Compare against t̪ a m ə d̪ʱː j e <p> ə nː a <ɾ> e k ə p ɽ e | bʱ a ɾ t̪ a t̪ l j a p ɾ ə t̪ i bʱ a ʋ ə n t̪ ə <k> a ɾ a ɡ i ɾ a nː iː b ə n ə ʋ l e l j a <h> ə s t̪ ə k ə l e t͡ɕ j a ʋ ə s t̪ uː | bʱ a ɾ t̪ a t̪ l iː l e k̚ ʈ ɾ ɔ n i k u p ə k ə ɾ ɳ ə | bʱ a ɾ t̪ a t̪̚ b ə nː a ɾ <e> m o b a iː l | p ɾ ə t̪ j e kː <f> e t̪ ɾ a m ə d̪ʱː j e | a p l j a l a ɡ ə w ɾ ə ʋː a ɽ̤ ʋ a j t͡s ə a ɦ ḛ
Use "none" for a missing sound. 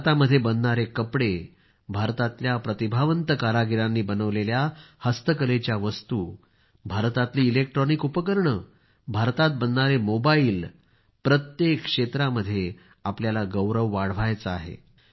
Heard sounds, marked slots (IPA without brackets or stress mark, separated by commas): b, ɾ, k, h, e, ʂ